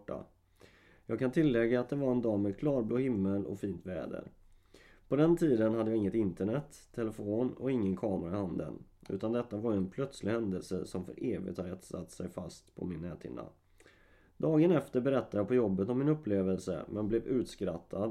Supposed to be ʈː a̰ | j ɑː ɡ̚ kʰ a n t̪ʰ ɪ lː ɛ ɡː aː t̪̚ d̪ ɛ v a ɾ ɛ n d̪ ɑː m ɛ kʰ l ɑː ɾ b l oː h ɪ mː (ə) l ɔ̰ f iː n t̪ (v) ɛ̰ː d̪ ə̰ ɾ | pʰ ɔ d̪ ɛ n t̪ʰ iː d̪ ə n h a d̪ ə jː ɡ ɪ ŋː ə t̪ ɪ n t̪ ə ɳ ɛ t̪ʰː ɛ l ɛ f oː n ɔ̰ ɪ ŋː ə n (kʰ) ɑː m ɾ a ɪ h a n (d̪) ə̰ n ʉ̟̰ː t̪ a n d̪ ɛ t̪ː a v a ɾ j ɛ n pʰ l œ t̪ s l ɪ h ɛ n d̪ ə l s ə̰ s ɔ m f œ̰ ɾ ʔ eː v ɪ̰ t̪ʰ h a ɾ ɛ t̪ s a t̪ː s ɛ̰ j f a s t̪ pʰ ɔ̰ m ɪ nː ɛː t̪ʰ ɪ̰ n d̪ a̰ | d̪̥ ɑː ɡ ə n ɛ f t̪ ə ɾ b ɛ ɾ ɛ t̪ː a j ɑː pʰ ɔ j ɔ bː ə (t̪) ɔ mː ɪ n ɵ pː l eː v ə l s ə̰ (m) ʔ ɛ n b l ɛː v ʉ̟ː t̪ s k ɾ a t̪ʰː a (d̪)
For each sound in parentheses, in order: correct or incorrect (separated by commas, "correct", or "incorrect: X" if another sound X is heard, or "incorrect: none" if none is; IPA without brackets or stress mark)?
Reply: correct, correct, correct, correct, correct, correct, correct